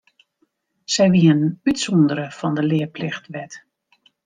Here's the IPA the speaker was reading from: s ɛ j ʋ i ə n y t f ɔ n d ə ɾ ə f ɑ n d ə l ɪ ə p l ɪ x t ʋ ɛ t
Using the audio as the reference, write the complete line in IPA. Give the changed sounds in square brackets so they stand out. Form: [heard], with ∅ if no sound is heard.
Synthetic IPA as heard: s ɛ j ʋ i ə n y t [s] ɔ n d ə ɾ ə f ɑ n d ə l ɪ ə p l ɪ x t ʋ ɛ t

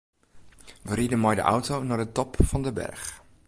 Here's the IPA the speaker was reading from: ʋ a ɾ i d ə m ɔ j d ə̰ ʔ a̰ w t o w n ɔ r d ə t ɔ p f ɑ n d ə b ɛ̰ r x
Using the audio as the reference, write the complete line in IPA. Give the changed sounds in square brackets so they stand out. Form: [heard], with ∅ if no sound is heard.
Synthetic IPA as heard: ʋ [ə] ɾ i d ə m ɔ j d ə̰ ʔ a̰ w t o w n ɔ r d ə t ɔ p f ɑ n d ə b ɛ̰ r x

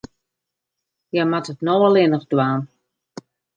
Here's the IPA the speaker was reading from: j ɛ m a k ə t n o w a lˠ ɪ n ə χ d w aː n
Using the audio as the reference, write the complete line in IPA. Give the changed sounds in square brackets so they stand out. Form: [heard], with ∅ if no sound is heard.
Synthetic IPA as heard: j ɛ m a [t] ə t n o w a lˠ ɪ n ə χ d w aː n

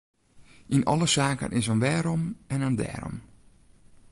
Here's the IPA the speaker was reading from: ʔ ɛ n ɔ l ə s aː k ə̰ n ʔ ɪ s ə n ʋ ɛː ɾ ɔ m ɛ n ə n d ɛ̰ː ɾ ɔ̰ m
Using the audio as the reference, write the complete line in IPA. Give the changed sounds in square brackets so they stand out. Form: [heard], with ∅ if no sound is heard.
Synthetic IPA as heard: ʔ [i] n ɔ l ə s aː k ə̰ n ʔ ɪ s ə n ʋ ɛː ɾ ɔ m ɛ n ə n d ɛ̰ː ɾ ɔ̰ m

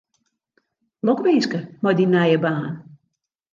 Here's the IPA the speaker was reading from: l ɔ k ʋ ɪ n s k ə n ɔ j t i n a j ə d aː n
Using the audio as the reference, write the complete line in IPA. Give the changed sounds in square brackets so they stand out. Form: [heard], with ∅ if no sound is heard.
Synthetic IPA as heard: l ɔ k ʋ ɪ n s k ə [m] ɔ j [d] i n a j ə [b] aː n

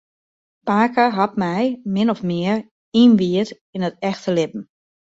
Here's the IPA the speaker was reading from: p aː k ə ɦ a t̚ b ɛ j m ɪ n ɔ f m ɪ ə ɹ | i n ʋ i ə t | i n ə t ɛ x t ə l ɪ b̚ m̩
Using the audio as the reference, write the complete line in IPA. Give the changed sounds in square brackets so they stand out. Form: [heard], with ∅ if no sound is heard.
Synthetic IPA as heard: p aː k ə ɦ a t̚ [m] ɛ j m ɪ n ɔ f m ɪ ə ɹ | i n ʋ i ə t | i n ə t ɛ x t ə l ɪ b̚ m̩

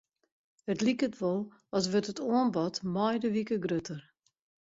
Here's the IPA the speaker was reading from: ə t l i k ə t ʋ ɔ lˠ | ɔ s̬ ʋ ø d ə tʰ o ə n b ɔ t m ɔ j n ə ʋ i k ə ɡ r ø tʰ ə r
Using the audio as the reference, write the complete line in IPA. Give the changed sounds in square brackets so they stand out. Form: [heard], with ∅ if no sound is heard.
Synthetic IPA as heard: ə t l i k ə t ʋ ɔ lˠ | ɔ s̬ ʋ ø [t] ə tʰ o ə n b ɔ t m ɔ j [d] ə ʋ i k ə ɡ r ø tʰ ə r

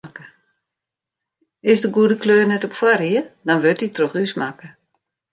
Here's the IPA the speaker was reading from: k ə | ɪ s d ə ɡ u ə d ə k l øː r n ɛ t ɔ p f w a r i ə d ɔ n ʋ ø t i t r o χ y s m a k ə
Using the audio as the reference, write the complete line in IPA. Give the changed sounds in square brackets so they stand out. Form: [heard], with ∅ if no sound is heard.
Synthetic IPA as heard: k ə | ɪ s d ə ɡ u ə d ə k l øː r n ɛ t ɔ p f w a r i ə d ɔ n ʋ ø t i t r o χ y s m a k ə

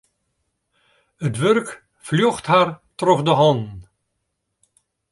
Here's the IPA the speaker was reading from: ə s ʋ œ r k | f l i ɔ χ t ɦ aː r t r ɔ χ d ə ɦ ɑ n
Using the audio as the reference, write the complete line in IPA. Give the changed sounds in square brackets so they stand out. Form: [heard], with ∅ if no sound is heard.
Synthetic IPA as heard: ə [t] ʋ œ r k | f l [j] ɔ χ t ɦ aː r t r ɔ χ d ə ɦ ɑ n

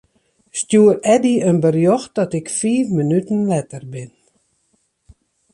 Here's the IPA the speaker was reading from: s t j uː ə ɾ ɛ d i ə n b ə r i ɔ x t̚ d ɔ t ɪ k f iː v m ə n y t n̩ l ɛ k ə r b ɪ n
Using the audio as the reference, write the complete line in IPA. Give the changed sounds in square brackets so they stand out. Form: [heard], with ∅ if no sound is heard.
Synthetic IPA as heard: s t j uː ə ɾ ɛ d i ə n b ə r [j] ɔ x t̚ d ɔ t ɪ k f iː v m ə n y t n̩ l ɛ [t] ə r b ɪ n

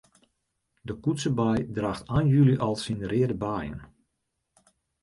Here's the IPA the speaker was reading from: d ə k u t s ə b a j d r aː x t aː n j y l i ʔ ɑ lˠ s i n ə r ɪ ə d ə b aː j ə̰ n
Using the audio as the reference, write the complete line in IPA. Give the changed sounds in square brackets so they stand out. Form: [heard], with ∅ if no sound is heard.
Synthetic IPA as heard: d ə k u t s ə b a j d r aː x t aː n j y l i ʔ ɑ lˠ s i n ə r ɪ ə d ə b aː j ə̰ n

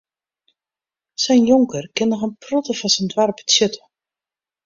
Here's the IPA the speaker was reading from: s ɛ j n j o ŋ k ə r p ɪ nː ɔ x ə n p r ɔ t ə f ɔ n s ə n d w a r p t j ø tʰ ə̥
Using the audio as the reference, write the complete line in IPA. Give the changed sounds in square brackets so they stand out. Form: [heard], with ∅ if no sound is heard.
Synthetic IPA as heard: s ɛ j n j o ŋ k ə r [k] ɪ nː ɔ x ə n p r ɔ t ə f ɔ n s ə n d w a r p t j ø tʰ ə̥

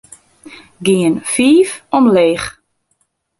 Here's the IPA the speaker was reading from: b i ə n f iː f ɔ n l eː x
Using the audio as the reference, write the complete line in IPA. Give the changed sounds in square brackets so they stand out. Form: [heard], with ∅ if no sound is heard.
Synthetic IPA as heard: [ɡ] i ə n f iː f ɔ [m] l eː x

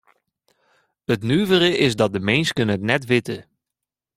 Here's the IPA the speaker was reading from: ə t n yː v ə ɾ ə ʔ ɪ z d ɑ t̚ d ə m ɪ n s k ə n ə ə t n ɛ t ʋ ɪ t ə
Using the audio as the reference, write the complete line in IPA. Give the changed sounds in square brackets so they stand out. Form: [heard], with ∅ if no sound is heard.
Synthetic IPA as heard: ə t n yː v ə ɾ ə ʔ ɪ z d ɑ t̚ d ə m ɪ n s k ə n ə ə t n ɛ t ʋ ɪ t ə

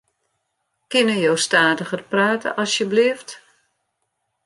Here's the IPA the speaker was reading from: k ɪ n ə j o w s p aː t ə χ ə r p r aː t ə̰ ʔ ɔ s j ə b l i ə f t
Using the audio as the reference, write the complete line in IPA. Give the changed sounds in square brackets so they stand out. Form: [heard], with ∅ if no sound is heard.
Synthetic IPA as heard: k ɪ n ə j o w s [t] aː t ə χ ə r p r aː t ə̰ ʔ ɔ s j ə b l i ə f t

